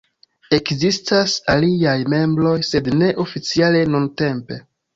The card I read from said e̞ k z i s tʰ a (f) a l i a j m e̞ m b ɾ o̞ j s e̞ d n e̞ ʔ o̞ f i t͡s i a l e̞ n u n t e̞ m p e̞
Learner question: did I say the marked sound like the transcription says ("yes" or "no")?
no